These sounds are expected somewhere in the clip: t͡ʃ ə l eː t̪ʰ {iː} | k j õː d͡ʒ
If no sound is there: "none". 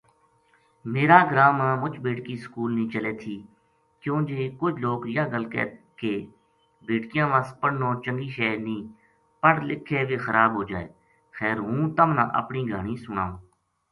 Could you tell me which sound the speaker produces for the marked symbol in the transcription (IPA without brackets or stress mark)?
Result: iː